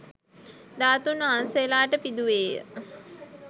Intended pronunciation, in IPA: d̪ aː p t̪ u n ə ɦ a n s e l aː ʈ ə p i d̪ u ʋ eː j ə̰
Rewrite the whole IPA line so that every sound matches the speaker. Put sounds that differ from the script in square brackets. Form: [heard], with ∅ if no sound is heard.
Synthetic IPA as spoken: d̪ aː [∅] t̪ u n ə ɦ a n s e l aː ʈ ə p i d̪ u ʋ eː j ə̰